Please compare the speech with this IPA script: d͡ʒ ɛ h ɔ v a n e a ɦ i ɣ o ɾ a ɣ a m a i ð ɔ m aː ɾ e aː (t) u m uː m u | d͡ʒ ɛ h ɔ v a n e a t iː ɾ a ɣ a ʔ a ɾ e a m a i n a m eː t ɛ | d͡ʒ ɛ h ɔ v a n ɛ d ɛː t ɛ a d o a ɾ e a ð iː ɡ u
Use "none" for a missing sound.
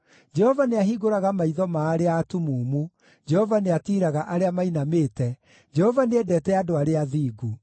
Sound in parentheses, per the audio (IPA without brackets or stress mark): t